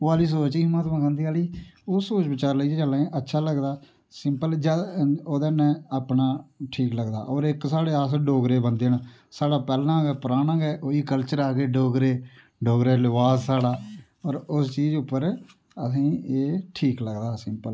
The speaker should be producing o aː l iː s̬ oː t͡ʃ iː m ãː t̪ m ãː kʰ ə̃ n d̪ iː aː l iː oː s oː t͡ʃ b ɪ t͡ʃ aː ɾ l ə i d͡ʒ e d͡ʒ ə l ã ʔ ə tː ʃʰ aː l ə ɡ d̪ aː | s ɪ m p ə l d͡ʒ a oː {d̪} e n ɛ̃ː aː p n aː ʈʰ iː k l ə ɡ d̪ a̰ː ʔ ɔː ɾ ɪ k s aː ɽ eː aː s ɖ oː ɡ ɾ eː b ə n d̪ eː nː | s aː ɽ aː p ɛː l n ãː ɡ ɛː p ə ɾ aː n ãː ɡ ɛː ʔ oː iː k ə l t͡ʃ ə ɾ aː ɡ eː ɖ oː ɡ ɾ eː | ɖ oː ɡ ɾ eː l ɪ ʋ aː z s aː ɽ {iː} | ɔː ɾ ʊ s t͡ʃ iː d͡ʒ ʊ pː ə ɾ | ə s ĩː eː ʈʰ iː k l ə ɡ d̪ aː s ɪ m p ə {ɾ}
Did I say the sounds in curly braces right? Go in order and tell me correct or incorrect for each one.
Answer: correct, incorrect: aː, incorrect: l

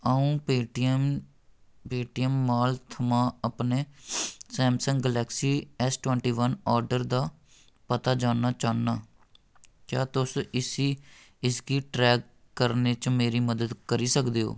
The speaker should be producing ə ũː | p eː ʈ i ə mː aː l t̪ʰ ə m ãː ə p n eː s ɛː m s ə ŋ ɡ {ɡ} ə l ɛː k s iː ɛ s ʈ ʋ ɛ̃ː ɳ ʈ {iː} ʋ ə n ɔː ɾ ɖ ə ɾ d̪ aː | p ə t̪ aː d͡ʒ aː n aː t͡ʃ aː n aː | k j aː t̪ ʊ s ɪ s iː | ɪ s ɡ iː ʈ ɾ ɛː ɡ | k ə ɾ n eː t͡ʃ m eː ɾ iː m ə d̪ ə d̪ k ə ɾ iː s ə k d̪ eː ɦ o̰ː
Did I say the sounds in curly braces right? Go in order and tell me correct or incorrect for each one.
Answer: correct, correct

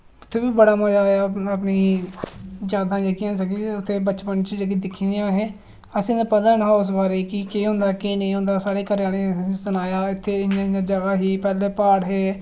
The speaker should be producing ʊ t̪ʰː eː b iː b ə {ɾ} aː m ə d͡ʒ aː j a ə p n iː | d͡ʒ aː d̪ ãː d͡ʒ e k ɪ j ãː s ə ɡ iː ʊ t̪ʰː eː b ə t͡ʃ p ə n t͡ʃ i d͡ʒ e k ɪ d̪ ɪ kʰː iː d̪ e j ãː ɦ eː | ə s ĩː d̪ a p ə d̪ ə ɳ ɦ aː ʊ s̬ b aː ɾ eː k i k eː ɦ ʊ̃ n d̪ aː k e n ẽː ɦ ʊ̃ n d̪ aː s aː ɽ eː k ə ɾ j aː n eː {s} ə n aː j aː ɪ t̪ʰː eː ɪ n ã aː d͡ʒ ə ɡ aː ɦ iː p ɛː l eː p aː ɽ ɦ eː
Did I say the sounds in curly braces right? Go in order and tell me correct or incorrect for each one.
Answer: incorrect: ɽ, correct

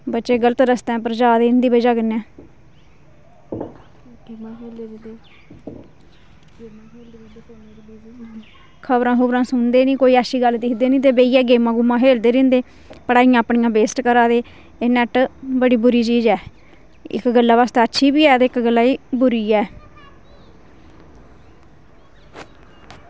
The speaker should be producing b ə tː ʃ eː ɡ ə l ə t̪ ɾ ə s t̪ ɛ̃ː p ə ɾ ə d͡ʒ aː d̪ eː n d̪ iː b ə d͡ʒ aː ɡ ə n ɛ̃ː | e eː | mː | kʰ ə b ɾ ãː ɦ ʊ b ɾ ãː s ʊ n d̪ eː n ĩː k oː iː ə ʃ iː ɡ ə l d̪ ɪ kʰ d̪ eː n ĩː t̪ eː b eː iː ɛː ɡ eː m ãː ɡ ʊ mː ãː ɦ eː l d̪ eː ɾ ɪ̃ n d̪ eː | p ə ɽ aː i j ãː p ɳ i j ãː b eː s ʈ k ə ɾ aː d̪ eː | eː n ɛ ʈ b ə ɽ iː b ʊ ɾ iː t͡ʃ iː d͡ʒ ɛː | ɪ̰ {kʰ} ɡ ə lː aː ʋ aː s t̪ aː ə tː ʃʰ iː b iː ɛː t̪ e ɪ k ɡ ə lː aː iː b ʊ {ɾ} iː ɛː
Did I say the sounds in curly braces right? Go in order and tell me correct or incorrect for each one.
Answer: incorrect: k, correct

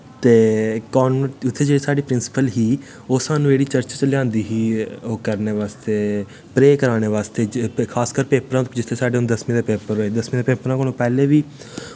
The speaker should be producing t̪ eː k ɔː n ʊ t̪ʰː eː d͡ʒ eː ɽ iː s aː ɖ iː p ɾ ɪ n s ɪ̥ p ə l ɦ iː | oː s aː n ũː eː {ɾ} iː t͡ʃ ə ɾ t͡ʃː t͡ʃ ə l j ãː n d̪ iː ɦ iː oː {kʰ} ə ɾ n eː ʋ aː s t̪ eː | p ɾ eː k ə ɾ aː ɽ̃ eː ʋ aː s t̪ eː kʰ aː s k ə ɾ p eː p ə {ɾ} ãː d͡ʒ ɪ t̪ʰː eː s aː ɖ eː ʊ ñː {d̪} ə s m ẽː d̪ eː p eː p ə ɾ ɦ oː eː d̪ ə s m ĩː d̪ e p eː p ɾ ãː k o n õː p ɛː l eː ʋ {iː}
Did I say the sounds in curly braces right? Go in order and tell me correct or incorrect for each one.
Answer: incorrect: ɽ, incorrect: k, correct, correct, correct

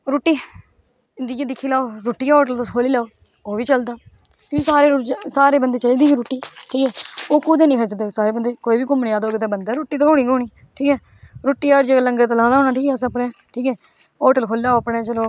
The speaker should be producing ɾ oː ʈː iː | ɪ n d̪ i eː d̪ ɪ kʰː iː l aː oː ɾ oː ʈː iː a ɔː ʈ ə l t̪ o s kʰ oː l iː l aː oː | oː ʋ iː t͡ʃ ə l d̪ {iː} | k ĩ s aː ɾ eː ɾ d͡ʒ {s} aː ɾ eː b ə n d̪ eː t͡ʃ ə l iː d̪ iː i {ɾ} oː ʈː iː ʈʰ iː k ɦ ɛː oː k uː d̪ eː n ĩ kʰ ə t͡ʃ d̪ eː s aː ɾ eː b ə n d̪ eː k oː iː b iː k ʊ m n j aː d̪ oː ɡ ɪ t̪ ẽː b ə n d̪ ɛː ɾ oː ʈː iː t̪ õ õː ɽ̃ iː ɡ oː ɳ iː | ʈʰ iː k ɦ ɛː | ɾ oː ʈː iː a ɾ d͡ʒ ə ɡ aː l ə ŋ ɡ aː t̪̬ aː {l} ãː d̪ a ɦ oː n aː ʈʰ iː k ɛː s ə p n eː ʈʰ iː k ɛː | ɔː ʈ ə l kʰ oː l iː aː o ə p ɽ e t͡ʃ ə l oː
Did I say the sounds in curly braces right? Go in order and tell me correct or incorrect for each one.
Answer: incorrect: aː, correct, correct, correct

